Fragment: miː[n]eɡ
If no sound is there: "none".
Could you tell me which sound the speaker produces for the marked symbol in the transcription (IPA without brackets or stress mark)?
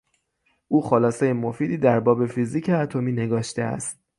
n